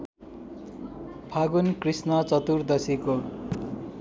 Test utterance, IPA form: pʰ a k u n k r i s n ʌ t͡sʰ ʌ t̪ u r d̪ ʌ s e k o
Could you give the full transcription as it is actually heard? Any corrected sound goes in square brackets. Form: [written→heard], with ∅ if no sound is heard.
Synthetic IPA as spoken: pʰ a [k→ɡ] u n k r i s n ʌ [t͡sʰ→t͡s] ʌ t̪ u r d̪ ʌ s [e→i] k o